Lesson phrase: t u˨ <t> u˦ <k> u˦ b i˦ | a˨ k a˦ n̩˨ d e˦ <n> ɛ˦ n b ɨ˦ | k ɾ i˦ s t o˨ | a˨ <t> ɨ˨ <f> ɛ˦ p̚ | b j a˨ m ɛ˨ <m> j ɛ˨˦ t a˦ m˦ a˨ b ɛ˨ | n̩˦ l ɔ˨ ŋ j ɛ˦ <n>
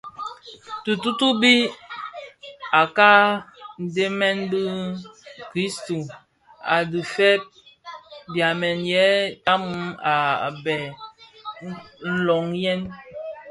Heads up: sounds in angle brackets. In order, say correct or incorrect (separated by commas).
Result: correct, incorrect, incorrect, incorrect, correct, incorrect, correct